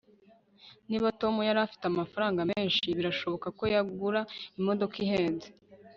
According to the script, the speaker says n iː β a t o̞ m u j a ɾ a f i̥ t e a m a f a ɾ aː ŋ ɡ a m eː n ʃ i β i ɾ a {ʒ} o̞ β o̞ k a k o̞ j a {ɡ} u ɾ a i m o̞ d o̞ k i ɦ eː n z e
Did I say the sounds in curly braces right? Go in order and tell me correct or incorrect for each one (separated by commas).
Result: incorrect, correct